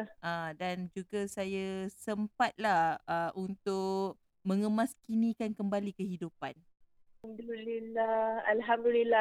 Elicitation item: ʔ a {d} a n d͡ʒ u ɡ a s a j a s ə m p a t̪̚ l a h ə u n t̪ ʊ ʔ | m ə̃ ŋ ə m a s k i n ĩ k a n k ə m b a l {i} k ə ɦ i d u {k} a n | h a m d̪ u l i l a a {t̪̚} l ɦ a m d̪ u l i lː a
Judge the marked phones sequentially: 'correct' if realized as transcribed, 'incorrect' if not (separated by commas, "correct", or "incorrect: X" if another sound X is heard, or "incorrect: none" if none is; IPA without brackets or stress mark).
correct, correct, incorrect: p, incorrect: none